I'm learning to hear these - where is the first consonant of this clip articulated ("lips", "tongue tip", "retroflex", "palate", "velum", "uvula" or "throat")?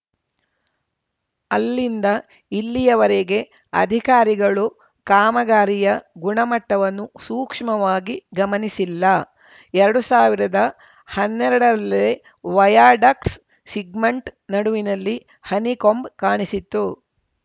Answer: tongue tip